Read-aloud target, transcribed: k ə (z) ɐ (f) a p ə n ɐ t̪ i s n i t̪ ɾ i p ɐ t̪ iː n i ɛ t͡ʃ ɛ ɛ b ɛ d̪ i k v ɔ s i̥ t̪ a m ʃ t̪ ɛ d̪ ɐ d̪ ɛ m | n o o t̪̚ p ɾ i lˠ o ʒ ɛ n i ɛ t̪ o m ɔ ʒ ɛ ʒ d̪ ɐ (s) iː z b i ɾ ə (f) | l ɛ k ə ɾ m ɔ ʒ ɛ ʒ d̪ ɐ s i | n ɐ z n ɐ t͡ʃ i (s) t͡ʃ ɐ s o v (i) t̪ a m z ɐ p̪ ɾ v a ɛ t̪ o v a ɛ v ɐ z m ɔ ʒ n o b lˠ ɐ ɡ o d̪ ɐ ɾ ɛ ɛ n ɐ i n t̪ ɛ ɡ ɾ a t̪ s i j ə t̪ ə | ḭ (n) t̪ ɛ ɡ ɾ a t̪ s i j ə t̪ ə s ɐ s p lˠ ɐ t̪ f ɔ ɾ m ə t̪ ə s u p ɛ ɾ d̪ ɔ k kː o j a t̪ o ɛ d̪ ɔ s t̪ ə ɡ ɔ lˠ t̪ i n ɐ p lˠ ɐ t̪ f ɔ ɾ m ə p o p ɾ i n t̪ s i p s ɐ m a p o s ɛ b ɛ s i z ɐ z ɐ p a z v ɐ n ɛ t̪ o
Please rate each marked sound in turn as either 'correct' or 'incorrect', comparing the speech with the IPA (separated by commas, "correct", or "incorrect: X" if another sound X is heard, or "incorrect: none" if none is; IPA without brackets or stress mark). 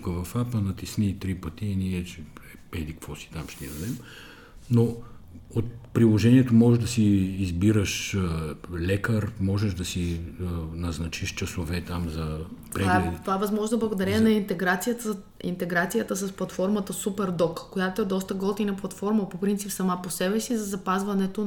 incorrect: v, correct, correct, incorrect: ʃ, incorrect: ʃ, incorrect: ɛ, correct